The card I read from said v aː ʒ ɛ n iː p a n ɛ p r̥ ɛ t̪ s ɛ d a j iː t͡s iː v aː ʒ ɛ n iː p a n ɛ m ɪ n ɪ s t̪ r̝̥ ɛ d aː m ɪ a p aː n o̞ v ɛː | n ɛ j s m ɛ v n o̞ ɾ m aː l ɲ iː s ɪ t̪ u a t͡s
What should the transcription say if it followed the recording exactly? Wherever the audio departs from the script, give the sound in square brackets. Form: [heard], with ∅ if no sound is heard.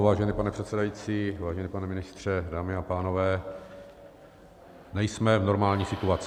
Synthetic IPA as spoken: v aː ʒ ɛ n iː p a n ɛ p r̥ ɛ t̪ s ɛ d a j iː t͡s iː v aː ʒ ɛ n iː p a n ɛ m ɪ n ɪ s t̪ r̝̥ ɛ d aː m ɪ a p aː n o̞ v ɛː | n ɛ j s m ɛ v n o̞ ɾ m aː l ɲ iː s ɪ t̪ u a t͡s